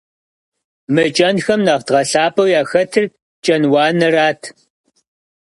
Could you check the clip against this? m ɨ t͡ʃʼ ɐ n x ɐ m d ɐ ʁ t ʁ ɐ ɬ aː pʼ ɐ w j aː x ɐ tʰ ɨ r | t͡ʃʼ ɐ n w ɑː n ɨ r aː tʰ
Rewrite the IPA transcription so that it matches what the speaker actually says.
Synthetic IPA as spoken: m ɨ t͡ʃʼ ɐ n x ɐ m n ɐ ʁ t ʁ ɐ ɬ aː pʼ ɐ w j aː x ɐ tʰ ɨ r | t͡ʃʼ ɐ n w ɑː n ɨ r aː tʰ